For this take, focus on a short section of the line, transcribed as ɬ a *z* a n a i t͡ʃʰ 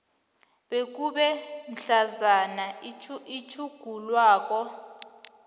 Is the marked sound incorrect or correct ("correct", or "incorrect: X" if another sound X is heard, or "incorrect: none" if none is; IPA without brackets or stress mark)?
correct